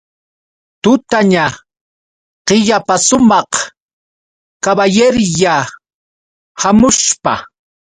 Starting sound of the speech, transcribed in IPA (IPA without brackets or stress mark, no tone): t̪